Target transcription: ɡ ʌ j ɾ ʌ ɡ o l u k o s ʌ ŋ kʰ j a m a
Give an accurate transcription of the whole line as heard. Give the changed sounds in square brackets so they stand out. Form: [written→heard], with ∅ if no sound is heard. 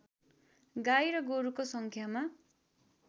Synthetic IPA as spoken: ɡ [ʌ→a] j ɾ ʌ ɡ o [l→ɾ] u k o s ʌ ŋ kʰ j a m a